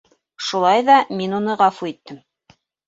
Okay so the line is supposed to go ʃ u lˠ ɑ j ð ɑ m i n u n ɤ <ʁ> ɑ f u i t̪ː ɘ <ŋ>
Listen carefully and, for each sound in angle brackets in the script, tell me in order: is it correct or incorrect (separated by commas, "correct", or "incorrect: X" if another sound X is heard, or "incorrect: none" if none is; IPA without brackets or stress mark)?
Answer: correct, incorrect: m